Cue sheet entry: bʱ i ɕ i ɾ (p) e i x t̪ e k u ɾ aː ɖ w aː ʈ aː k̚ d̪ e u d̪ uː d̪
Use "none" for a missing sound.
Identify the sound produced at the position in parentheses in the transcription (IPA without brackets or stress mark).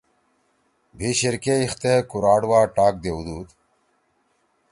k